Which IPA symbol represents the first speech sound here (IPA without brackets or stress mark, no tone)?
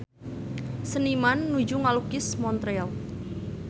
s